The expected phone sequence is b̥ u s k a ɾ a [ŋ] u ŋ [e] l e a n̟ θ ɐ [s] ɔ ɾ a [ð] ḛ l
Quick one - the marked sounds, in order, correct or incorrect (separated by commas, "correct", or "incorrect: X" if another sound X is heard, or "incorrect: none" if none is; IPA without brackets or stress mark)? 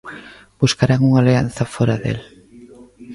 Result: correct, incorrect: a, incorrect: f, correct